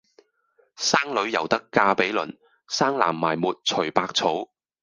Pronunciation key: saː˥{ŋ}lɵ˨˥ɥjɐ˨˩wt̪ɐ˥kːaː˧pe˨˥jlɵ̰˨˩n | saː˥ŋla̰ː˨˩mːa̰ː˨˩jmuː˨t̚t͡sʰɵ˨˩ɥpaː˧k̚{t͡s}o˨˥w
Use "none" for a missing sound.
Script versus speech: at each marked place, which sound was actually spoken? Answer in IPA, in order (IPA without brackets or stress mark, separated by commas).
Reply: ŋ, t͡sʰ